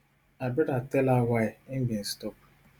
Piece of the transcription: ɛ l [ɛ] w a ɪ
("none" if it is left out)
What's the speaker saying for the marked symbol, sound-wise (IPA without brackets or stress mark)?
a